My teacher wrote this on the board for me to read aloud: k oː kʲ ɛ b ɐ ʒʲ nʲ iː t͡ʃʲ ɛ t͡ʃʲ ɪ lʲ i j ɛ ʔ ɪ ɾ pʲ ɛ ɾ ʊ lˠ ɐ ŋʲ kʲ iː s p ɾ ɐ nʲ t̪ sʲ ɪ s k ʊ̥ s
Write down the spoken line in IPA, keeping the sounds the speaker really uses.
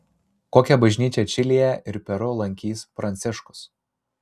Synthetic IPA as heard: k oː kʲ ɛ b ɐ ʒʲ nʲ iː t͡ʃʲ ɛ t͡ʃʲ ɪ lʲ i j ɛ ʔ ɪ ɾ pʲ ɛ ɾ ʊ lˠ ɐ ŋʲ kʲ iː s p ɾ ɐ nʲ t̪ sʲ ɪ ʃ k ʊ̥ s